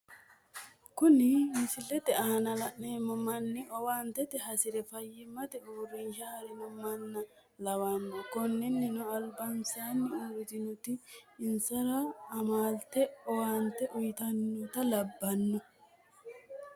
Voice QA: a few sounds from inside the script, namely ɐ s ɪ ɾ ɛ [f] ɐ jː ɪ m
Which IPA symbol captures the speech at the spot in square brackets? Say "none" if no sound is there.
f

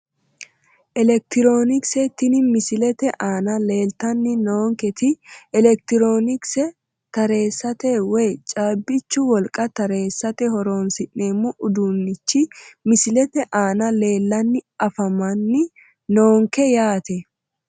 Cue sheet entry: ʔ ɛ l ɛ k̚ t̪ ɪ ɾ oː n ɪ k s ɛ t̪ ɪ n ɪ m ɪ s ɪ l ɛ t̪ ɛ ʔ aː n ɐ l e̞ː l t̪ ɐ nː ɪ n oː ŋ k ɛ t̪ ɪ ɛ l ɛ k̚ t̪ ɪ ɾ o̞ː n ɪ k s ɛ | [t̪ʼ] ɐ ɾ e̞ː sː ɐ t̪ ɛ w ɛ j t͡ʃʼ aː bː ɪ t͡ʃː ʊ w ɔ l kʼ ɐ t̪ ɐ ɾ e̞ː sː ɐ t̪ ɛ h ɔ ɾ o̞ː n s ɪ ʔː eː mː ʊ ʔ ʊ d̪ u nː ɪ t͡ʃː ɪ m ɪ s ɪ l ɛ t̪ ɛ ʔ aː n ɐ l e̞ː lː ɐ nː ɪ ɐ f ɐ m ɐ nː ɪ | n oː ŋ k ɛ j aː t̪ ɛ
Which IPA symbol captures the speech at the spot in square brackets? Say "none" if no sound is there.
t̪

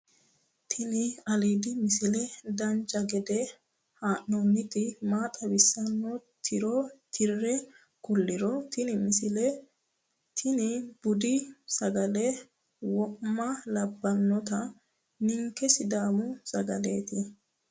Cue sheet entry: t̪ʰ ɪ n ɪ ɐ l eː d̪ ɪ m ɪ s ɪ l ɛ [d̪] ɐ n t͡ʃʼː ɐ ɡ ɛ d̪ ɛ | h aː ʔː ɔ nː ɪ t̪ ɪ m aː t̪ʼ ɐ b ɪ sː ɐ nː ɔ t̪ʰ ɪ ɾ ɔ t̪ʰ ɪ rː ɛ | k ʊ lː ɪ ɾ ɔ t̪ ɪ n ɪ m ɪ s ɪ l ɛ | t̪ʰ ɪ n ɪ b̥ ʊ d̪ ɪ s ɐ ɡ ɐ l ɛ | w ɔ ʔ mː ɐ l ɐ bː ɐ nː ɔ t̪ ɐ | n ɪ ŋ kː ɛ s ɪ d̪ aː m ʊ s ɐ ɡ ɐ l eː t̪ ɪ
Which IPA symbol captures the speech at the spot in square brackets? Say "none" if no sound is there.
d̪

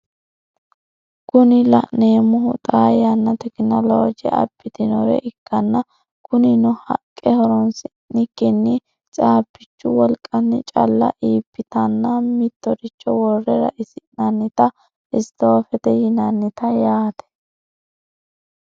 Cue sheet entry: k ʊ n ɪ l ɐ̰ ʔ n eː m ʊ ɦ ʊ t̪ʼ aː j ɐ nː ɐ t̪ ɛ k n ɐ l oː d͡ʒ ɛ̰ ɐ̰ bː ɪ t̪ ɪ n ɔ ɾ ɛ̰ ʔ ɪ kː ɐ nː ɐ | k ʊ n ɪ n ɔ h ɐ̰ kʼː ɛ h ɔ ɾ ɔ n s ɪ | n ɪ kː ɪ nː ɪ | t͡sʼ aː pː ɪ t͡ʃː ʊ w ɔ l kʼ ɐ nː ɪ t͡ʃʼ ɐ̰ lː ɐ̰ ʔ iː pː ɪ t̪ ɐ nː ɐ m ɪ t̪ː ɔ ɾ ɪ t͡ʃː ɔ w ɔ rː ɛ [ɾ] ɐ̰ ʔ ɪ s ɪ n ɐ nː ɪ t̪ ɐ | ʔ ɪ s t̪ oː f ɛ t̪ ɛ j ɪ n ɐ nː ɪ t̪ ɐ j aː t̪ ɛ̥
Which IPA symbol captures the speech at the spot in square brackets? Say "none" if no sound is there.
ɾ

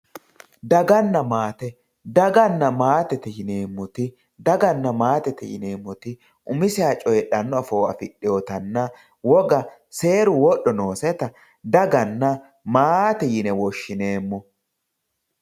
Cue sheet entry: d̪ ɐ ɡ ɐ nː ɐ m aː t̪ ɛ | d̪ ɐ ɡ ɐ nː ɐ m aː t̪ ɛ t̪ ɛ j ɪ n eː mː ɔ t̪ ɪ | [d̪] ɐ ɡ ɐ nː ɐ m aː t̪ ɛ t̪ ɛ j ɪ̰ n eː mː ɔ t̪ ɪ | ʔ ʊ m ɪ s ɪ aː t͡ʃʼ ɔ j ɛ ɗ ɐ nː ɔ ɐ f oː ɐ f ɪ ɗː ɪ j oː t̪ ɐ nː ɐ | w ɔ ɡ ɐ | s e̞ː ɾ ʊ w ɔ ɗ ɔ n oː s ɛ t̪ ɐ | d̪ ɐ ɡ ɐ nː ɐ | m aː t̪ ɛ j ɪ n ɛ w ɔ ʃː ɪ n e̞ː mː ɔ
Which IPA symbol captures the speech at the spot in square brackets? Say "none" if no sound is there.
d̪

